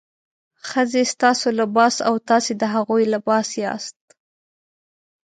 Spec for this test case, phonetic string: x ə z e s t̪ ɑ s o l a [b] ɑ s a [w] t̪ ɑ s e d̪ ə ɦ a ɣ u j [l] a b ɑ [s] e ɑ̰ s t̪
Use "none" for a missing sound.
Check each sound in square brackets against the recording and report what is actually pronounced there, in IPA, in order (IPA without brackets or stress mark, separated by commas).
b, w, l, s